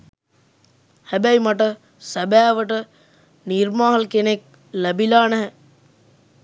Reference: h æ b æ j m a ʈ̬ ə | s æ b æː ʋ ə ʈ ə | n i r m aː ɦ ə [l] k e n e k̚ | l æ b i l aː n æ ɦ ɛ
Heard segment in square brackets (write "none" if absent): l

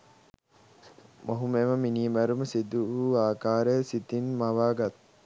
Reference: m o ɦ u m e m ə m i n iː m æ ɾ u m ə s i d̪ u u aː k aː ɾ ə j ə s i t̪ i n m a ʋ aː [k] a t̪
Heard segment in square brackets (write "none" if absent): ɡ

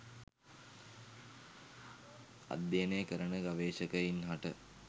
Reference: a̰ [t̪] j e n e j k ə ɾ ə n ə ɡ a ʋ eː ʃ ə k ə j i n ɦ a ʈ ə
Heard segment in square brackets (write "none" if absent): d̪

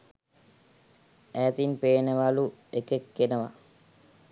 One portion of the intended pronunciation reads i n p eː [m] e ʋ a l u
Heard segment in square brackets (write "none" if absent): n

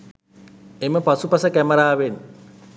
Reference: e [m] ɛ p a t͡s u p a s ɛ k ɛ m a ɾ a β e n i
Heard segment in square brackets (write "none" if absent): m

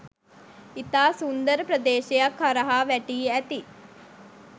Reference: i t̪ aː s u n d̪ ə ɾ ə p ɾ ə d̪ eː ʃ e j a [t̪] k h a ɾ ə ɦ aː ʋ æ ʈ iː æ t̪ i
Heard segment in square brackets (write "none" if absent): none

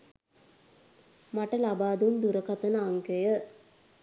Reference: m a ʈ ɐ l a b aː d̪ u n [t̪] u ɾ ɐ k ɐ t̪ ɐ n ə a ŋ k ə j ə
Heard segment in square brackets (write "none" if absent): d̪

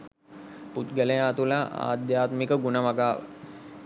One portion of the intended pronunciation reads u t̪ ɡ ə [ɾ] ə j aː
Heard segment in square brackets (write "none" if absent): l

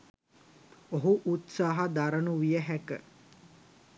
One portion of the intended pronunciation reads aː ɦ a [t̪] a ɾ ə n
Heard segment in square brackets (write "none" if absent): d̪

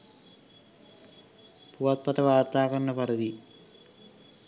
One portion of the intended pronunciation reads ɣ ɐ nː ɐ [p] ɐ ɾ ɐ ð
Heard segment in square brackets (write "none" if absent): p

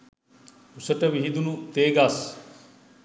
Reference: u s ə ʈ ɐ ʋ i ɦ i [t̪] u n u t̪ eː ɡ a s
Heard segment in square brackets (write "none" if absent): d̪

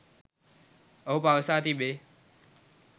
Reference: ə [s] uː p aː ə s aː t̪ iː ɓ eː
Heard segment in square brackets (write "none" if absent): none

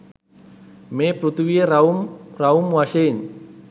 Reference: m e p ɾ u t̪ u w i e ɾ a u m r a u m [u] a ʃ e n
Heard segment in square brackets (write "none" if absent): w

